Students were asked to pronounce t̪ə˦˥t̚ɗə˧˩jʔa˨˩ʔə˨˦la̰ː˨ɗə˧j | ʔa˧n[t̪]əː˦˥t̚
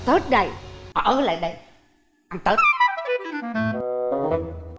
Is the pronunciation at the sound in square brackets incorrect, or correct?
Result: correct